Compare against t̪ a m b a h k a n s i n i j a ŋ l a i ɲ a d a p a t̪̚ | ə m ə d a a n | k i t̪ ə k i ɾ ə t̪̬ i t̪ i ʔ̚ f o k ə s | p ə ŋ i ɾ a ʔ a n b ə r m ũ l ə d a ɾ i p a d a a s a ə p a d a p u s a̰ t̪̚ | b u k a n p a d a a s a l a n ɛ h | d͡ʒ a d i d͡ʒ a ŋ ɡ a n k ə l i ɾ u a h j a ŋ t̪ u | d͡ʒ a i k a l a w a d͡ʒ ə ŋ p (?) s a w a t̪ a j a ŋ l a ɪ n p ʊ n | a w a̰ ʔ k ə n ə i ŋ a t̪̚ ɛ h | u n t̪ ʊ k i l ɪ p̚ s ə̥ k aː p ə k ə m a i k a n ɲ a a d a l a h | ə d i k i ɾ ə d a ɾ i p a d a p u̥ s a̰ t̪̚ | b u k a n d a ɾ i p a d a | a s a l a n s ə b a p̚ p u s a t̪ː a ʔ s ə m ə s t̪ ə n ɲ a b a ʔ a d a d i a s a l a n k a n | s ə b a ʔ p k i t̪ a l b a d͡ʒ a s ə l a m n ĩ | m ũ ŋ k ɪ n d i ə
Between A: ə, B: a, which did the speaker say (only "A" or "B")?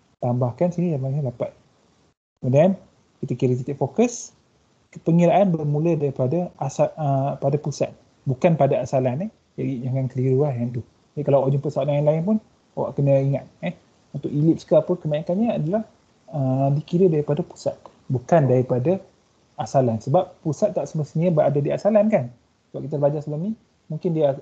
A